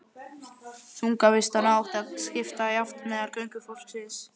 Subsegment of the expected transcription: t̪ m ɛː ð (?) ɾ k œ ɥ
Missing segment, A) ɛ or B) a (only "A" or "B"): B